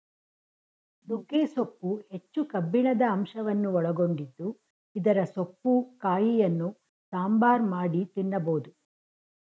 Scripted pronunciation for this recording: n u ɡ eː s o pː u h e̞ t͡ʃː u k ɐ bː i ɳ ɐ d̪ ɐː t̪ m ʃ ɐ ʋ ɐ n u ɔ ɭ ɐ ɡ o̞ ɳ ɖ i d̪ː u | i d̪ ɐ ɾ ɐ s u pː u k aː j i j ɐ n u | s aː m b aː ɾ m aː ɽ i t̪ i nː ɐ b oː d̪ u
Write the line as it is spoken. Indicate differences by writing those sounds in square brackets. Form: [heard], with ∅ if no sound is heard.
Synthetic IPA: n u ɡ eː s o pː u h e̞ t͡ʃː u k ɐ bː i ɳ ɐ d̪ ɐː [∅] m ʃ ɐ ʋ ɐ [nː] u ɔ ɭ ɐ ɡ o̞ ɳ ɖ i d̪ː u | i d̪ ɐ ɾ ɐ s [o] pː u k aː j i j ɐ [nː] u | s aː m b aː ɾ m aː ɽ i t̪ i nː ɐ b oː d̪ u